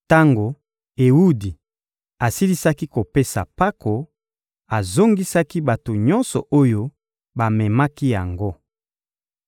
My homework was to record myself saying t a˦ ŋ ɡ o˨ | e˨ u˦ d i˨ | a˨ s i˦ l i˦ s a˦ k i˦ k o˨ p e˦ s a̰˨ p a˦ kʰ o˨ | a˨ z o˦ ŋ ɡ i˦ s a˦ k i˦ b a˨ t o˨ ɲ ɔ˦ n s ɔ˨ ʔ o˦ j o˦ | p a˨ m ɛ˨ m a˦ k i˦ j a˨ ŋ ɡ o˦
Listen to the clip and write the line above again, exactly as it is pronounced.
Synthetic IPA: t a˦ ŋ ɡ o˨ | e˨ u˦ d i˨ | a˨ s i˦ l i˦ s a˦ k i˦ k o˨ p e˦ s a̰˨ p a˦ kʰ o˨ | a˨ z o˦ ŋ ɡ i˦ s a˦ k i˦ b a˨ t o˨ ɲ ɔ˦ n s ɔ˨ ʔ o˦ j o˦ | b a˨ m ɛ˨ m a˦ k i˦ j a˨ ŋ ɡ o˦